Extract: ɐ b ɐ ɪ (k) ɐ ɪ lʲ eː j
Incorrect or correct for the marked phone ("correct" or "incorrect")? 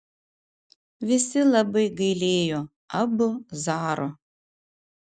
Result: incorrect